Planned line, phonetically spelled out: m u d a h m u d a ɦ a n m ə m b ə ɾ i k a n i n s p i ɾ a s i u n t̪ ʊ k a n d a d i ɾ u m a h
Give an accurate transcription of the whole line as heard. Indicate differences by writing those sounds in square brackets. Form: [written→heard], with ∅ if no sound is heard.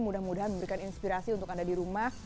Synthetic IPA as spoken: m u d a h m u d a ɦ a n m ə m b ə ɾ i k a n i n s p i ɾ a s i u n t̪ ʊ k a n d a d i ɾ u m a h